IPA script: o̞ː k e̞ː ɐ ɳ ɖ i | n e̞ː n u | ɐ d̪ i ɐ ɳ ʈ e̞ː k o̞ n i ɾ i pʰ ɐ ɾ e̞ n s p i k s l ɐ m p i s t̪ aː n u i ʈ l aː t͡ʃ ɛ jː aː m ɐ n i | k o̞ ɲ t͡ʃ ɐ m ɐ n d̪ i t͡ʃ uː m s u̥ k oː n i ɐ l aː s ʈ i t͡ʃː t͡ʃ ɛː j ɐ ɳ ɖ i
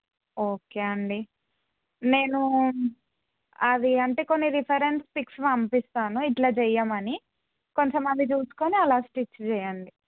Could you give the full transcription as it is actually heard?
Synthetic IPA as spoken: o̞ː k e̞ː ɐ ɳ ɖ i | n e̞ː n u | ɐ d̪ i ɐ ɳ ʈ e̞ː k o̞ nː i ɾ i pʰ ɐ ɾ e̞ n s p i k s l ɐ m p i s t̪ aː n u i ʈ l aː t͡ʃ ɛ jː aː m ɐ n i | k o̞ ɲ t͡ʃ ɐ m ɐ n d̪ i t͡ʃ uː s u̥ k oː n i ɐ l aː s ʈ i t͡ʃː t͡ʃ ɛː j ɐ ɳ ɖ i